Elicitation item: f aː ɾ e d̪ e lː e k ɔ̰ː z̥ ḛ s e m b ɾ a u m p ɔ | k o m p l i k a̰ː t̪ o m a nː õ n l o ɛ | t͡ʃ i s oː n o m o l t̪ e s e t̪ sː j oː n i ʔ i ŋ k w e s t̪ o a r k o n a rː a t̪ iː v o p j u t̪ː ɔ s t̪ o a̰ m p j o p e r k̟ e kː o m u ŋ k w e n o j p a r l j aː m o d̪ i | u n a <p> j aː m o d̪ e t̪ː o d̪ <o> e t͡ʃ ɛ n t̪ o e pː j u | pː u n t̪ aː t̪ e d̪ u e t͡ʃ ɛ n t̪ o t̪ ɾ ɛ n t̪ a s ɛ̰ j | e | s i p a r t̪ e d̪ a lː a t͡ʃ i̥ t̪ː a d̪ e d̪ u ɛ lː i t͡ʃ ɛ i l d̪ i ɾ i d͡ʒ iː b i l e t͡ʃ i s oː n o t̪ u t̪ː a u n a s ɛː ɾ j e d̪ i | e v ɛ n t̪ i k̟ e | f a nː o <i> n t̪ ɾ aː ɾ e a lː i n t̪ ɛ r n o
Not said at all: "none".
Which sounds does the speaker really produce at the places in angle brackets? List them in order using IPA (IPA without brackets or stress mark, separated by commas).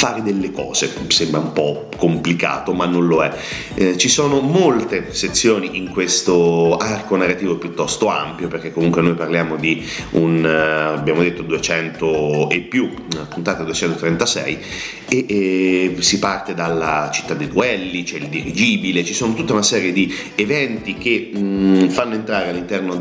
b, u, e